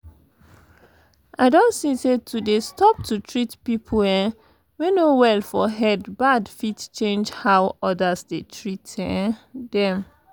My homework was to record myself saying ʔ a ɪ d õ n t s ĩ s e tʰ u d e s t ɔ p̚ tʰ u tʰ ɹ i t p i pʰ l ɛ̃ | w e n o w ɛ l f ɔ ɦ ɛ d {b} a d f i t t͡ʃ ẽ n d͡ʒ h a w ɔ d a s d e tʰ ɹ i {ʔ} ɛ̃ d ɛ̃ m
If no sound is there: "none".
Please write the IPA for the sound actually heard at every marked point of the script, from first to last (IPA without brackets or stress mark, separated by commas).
b, t